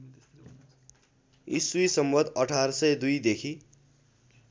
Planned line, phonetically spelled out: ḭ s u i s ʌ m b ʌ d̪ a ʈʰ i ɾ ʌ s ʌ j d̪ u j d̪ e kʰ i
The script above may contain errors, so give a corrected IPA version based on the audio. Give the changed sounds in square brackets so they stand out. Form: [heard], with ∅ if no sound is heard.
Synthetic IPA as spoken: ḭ s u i s ʌ m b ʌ d̪ [ʌ] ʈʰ [a] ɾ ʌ s ʌ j d̪ u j d̪ e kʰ i